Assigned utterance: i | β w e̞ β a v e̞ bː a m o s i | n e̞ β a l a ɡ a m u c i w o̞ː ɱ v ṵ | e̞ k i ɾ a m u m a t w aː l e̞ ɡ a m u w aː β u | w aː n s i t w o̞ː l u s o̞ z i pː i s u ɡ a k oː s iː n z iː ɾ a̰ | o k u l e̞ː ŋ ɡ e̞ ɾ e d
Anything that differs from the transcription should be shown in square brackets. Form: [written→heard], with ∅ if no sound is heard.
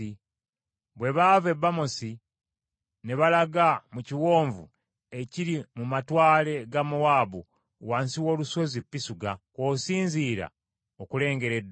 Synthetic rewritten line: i | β w e̞ β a v e̞ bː a m o s i | n e̞ β a l a ɡ a m u c i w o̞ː ɱ v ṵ | e̞ [k→c] i ɾ [a→i] m u m a t w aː l e̞ ɡ a m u w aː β u | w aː n s i [t→∅] w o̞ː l u s o̞ z i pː i s u ɡ a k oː s iː n z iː ɾ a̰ | o k u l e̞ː ŋ ɡ e̞ ɾ e d